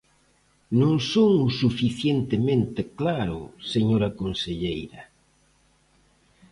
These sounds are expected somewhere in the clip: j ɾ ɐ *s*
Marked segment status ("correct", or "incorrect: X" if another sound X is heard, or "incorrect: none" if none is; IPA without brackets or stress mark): incorrect: none